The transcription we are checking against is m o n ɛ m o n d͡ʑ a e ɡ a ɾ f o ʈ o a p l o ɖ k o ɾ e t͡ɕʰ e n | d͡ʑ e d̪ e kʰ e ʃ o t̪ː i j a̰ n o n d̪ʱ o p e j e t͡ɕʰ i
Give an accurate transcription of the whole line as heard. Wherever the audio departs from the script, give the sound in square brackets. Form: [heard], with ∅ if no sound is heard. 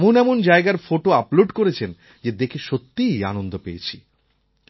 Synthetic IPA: m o n ɛ m o n d͡ʑ a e ɡ a ɾ f o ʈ o a p l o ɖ k o ɾ e t͡ɕʰ e n | d͡ʑ e d̪ e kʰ e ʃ o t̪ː i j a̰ n o n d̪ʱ o p e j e t͡ɕʰ i